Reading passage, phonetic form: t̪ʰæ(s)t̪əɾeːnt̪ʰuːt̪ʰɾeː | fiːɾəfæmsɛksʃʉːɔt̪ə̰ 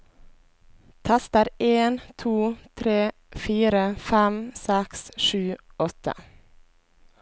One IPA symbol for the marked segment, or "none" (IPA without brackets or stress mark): s